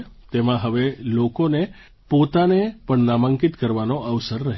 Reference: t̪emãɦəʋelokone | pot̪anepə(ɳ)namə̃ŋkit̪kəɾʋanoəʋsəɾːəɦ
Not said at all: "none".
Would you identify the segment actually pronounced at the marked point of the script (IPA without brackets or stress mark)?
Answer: ɳ